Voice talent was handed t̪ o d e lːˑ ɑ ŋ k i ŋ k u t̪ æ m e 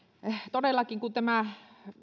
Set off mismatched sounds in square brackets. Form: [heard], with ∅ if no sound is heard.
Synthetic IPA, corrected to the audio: t̪ o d e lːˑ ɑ [∅] k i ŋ k u t̪ æ m [æ]

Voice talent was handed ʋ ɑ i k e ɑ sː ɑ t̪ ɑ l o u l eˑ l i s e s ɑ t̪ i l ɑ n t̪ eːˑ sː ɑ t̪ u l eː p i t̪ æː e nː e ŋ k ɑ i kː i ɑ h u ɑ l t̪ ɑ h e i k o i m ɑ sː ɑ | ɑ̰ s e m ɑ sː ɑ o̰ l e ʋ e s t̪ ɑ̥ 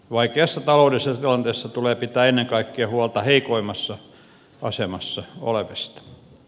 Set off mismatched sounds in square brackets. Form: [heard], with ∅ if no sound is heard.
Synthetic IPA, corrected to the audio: ʋ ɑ i k e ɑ sː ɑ t̪ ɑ l o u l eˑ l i s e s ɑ t̪ i l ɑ n t̪ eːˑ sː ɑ t̪ u l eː p i t̪ æː e nː e ŋ k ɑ i kː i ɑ h u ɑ l t̪ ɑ h e i k o i m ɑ sː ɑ | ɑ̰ s e m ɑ sː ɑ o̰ l e ʋ e s t̪ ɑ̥

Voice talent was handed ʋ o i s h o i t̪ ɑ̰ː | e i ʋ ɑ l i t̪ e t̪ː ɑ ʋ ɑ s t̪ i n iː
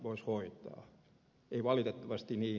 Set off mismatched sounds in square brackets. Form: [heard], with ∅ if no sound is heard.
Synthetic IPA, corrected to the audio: ʋ o i s h o i t̪ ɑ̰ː | e i ʋ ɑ l i t̪ e t̪ː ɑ ʋ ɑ s t̪ i n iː

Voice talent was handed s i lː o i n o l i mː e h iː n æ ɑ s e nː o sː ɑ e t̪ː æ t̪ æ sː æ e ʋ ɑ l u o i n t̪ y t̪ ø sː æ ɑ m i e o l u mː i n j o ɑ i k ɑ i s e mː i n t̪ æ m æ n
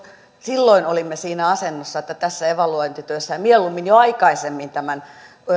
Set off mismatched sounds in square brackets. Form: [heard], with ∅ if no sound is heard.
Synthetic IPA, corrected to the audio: s i lː o i n o l i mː e [s] iː n æ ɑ s e nː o sː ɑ e t̪ː æ t̪ æ sː æ e ʋ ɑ l u o i n t̪ y t̪ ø sː æ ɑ m i e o l u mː i n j o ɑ i k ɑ i s e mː i n t̪ æ m æ n

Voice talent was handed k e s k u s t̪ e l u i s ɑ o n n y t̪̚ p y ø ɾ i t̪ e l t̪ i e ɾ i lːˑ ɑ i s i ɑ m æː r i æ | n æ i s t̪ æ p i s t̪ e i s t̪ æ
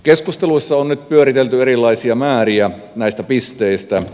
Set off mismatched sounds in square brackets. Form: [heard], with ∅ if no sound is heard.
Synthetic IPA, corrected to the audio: k e s k u s t̪ e l u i [sː] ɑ o n n y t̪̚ p y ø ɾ i t̪ e l t̪ [y] e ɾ i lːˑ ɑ i s i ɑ m æː r i æ | n æ i s t̪ æ p i s t̪ e i s t̪ æ

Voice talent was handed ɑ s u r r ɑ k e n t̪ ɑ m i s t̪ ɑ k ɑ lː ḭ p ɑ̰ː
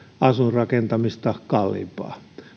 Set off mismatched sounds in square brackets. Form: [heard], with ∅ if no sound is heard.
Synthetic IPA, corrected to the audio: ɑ s u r r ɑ k e n t̪ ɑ m i s t̪ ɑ k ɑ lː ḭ p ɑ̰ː

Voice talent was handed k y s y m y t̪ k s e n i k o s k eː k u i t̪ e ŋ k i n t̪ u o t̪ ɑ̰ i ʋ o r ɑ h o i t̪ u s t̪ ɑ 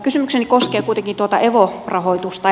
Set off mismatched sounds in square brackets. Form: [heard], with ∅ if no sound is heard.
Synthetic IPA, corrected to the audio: k y s y m y [∅] k s e n i k o s k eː k u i t̪ e ŋ k i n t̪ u o t̪ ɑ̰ [e] ʋ o r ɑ h o i t̪ u s t̪ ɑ

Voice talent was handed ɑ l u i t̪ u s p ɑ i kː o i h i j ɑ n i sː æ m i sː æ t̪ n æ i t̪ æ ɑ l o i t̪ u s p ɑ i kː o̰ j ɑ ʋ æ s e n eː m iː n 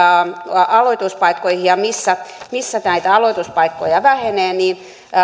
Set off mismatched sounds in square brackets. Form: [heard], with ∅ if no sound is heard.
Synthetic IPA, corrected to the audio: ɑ l [o] i t̪ u s p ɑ i kː o i h i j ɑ [m] i sː æ m i sː æ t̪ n æ i t̪ æ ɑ l o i t̪ u s p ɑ i kː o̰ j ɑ ʋ æ [h] e n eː [n] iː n

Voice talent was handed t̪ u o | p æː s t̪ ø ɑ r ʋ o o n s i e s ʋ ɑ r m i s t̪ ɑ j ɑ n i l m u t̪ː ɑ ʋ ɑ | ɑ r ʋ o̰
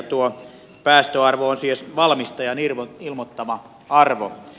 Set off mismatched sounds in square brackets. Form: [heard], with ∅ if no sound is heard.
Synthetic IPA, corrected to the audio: t̪ u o | p æː s t̪ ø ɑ r ʋ o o n s i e s ʋ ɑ [l] m i s t̪ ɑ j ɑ n i l m [o] t̪ː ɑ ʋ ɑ | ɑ r ʋ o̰

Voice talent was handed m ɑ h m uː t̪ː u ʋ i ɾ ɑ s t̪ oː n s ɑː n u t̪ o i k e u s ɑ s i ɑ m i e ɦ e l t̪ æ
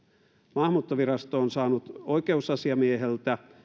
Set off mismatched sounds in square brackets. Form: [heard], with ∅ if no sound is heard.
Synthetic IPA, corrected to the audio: m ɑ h m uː t̪ː [o] ʋ i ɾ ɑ s t̪ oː n s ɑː n u t̪ o i k e u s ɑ s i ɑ m i e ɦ e l t̪ æ

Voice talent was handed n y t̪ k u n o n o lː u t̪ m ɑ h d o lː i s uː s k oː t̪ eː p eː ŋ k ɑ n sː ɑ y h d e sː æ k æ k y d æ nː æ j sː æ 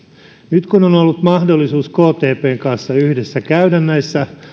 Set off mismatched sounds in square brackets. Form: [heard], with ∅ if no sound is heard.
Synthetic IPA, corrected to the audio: n y t̪ k u n o n o lː u t̪ m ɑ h d o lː i s uː s k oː t̪ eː p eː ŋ k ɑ n sː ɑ y h d e sː æ k æ [∅] y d æ nː æ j sː æ

